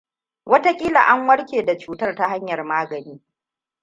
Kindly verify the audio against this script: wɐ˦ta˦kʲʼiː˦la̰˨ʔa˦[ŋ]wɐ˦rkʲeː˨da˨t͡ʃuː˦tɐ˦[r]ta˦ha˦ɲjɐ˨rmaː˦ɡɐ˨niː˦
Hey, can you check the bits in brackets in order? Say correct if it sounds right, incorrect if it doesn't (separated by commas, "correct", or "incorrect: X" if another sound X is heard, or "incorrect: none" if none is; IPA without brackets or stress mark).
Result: correct, correct